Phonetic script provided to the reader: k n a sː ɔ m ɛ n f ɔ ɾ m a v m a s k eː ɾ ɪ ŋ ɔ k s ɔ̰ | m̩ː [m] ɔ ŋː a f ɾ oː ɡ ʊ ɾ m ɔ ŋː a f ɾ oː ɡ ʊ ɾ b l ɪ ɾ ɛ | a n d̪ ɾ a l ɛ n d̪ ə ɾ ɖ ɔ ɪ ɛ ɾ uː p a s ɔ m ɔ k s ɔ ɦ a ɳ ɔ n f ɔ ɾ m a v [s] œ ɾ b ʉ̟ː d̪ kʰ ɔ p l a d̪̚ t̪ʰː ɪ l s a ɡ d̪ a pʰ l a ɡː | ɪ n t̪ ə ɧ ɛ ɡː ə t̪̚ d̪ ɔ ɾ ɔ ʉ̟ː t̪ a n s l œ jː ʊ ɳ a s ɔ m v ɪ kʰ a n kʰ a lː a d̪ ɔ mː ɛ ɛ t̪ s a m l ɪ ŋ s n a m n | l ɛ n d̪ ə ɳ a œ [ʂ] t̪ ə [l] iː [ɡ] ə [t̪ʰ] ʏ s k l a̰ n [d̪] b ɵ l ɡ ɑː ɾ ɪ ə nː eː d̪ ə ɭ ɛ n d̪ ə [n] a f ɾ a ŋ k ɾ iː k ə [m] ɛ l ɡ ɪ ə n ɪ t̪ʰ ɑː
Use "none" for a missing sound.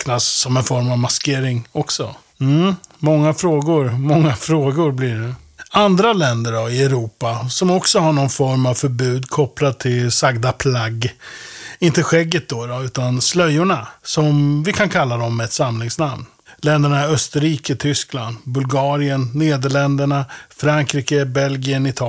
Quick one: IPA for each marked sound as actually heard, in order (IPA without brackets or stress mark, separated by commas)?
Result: m, f, s, ɾ, k, t̪ʰ, d̪, ɳ, b